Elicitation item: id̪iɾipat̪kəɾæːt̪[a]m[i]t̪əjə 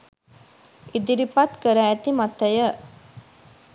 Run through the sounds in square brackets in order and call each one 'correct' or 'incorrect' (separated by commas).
incorrect, incorrect